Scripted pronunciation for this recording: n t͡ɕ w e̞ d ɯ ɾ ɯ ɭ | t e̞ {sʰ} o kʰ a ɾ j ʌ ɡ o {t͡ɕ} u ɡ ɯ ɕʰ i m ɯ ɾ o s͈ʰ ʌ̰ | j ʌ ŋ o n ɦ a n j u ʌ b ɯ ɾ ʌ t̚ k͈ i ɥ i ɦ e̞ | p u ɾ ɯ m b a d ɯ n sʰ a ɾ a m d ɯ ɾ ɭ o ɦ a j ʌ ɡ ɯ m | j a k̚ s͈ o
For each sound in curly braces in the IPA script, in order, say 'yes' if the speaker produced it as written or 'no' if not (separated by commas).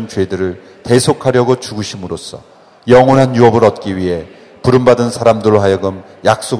yes, yes